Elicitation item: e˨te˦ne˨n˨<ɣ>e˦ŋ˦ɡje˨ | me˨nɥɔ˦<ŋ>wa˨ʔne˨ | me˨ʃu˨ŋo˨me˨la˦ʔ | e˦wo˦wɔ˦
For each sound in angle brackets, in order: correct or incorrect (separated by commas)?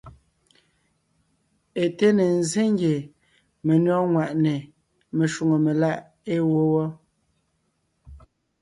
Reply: incorrect, correct